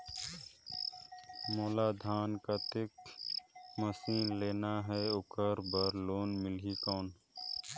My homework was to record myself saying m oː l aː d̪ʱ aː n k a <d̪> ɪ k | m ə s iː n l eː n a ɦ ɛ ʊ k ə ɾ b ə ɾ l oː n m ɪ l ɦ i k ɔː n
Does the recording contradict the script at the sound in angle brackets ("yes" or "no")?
yes